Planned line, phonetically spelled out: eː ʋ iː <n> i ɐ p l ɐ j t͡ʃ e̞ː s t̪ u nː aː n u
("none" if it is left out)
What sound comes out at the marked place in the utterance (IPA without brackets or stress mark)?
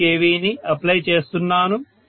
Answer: n